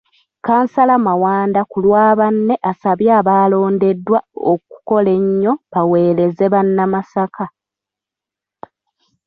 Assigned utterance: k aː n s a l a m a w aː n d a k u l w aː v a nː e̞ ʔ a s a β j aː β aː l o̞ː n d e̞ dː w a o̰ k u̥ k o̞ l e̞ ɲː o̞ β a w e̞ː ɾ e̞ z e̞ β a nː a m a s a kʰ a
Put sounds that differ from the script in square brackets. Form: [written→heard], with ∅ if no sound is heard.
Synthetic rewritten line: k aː n s a l a m a w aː n d a k u l w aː [v→β] a nː e̞ ʔ a s a β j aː β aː l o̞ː n d e̞ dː w a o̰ k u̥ k o̞ l e̞ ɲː o̞ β a w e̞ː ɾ e̞ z e̞ β a nː a m a s a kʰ a